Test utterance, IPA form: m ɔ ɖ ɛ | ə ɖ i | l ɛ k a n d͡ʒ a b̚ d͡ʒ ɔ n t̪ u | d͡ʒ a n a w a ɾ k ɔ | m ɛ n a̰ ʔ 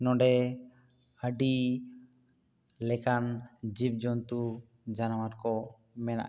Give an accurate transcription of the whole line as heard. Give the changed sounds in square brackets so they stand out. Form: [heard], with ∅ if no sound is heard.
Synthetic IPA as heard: [n] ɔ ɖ ɛ | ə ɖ i | l ɛ k a n d͡ʒ [i] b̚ d͡ʒ ɔ n t̪ u | d͡ʒ a n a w a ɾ k ɔ | m ɛ n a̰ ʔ